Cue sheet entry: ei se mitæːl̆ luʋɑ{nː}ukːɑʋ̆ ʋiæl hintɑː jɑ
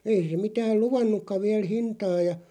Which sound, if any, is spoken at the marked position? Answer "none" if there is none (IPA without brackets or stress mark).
nː